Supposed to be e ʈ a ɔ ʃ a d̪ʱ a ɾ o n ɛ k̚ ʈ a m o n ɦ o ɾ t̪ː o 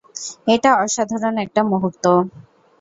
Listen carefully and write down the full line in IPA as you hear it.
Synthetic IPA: e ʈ a ɔ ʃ a d̪ʱ a ɾ o n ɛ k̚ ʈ a m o ɦ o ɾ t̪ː o

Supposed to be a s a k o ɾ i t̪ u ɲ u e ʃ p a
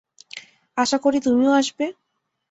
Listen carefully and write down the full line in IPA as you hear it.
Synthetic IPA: a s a k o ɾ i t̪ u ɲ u a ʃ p e

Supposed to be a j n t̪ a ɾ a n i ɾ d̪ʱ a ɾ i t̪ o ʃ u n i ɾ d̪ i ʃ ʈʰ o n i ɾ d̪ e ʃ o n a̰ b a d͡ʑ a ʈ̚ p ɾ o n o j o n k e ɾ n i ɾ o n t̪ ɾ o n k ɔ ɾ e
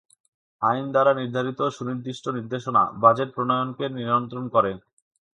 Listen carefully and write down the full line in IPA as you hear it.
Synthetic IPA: a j n d̪ a ɾ a n i ɾ d̪ʱ a ɾ i t̪ o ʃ u n i ɾ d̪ i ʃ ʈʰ o n i ɾ d̪ e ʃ o n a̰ b a d͡ʑ e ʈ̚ p ɾ o n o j o n k e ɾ n i ɾ o n t̪ ɾ o n k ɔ ɾ e

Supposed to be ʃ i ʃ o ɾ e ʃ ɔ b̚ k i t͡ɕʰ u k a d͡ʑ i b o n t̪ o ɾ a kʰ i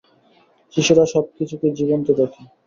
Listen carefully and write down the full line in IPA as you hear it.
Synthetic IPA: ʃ i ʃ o ɾ a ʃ ɔ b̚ k i t͡ɕʰ u k e d͡ʑ i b o n t̪ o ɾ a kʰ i

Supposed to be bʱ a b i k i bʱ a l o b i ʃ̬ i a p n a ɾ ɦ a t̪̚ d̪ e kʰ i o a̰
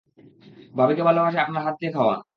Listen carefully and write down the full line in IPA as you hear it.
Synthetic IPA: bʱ a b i k e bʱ a l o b a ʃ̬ e a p n a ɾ ɦ a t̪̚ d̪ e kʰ a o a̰

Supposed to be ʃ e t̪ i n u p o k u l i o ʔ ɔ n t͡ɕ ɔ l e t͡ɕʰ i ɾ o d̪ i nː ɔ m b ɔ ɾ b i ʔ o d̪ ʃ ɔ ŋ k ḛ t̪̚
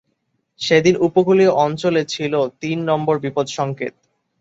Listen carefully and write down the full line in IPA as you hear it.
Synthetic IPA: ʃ e d̪ i n u p o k u l i o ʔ ɔ n t͡ɕ o l e t͡ɕʰ i l o t̪ i nː ɔ m b o ɾ b i p o d̪ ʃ ɔ ŋ k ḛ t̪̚

